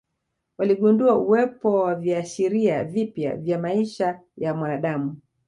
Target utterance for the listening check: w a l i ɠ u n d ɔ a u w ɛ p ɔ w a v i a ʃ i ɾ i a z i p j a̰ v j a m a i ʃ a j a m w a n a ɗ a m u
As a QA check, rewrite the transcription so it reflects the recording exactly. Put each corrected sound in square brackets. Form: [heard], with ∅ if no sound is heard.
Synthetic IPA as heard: w a l i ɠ u n d [u] a u w ɛ p ɔ w a v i a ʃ i ɾ i a [v] i p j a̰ v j a m a i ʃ a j a m w a n a ɗ a m u